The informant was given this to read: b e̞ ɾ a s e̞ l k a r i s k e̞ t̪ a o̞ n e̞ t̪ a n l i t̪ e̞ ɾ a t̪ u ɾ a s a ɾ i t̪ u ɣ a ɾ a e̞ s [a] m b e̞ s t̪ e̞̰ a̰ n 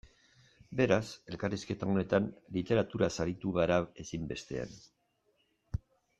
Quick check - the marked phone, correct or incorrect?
incorrect: i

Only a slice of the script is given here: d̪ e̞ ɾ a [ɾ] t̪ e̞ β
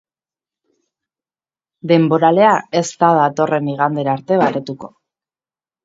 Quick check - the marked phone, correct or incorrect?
correct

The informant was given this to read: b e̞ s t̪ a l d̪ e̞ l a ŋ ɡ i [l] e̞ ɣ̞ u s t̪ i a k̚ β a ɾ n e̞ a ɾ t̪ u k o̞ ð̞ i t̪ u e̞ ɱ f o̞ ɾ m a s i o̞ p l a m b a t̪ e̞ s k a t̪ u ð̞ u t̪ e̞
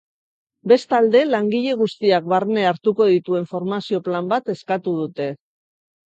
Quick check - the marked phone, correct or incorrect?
incorrect: ʎ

